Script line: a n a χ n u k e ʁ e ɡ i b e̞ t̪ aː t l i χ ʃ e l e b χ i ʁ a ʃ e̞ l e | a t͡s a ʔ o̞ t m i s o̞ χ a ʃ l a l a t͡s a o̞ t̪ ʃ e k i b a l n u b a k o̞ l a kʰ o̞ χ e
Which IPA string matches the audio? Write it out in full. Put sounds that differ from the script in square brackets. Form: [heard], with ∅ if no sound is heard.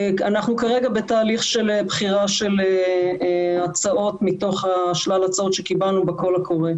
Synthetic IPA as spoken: a n a χ n u k [a] ʁ e ɡ [a] b e̞ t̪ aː [∅] l i χ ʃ e l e b χ i ʁ a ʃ e̞ l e | a t͡s a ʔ o̞ t m i [t] o̞ χ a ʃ l a l a t͡s a o̞ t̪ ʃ e k i b a l n u b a k o̞ l a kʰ o̞ [ʁ] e